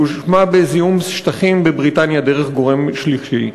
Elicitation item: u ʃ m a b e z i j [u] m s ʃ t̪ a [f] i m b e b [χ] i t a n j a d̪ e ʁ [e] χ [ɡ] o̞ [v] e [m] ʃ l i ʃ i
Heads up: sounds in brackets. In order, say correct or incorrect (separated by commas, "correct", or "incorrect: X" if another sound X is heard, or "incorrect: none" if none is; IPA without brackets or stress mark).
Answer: correct, incorrect: χ, incorrect: ʁ, correct, correct, incorrect: ʁ, correct